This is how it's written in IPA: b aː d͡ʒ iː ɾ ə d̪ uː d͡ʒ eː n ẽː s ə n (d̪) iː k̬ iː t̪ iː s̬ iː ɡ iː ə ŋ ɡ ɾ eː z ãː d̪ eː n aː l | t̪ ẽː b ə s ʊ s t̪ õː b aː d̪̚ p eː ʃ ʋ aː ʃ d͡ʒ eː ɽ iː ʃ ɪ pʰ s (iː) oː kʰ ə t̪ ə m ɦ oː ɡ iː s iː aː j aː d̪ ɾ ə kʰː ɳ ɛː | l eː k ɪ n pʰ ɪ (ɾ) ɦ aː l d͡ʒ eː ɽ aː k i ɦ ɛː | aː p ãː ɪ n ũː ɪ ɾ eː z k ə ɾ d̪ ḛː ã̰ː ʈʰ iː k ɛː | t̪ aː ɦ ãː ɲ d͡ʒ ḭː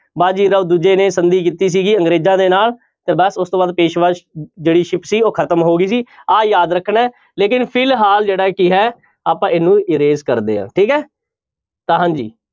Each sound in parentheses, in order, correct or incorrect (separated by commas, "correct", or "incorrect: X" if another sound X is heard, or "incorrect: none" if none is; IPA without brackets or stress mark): correct, correct, incorrect: l